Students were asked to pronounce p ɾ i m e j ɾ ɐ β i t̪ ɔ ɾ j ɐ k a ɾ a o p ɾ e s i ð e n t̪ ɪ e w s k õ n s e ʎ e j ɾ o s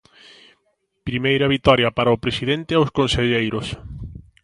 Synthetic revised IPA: p ɾ i m e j ɾ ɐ β i t̪ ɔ ɾ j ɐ p a ɾ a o p ɾ e s i ð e n t̪ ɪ a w s k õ n s e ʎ e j ɾ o s